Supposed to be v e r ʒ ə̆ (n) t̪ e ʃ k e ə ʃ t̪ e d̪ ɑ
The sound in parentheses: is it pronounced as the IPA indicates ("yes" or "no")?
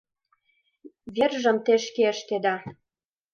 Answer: no